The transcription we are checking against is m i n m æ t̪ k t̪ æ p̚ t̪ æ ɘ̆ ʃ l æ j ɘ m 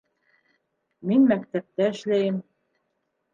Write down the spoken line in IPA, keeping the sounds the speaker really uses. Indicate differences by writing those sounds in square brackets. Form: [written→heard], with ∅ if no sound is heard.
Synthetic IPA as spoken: m i n m æ [t̪→∅] k t̪ æ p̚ t̪ æ ɘ̆ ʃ l æ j ɘ m